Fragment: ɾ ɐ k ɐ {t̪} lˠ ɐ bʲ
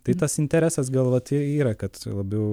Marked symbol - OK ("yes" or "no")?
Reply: yes